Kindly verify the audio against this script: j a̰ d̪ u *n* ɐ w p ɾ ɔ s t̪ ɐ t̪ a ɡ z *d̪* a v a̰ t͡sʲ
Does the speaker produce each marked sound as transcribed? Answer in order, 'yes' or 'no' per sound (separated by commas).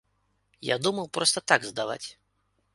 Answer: no, yes